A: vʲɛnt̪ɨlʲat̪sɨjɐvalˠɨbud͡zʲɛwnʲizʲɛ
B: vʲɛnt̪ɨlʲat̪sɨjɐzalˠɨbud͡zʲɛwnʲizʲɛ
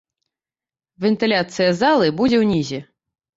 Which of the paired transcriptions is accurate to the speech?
B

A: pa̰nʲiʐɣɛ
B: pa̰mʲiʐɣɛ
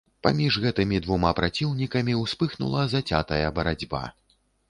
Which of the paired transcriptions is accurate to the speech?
B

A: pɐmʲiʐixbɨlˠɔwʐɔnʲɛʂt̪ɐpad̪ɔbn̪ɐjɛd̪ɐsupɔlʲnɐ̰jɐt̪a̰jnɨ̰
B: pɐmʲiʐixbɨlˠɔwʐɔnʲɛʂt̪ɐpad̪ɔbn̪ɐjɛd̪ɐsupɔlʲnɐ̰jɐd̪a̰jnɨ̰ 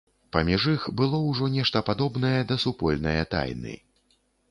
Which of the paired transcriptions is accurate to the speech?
A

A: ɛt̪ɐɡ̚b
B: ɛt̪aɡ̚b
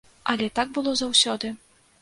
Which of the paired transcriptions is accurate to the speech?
B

